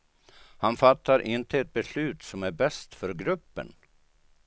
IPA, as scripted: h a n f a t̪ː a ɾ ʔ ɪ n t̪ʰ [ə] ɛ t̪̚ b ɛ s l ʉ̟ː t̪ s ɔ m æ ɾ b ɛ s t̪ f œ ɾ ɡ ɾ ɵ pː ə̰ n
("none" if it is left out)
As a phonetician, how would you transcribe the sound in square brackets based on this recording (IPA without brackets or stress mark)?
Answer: ə